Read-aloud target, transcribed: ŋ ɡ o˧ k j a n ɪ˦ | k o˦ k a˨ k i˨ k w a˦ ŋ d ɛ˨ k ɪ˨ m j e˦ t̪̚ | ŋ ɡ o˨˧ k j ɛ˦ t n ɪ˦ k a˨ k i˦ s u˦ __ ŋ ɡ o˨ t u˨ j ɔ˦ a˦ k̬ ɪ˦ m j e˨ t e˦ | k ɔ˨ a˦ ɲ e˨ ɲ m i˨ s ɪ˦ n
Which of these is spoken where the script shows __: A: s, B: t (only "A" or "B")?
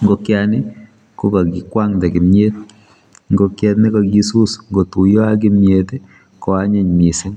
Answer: A